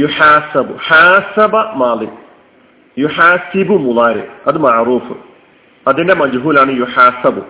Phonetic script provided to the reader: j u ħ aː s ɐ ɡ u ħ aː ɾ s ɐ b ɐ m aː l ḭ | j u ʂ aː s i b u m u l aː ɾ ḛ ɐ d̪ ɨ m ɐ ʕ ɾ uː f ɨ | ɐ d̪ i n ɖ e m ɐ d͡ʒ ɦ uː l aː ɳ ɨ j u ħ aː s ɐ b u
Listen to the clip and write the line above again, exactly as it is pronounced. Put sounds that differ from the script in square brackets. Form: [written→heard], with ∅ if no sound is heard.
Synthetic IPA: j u ħ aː s ɐ [ɡ→b] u ħ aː [ɾ→∅] s ɐ b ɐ m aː l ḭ | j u [ʂ→ħ] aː s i b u m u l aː ɾ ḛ ɐ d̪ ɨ m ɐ ʕ ɾ uː f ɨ | ɐ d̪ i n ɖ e m ɐ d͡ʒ ɦ uː l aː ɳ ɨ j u ħ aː s ɐ b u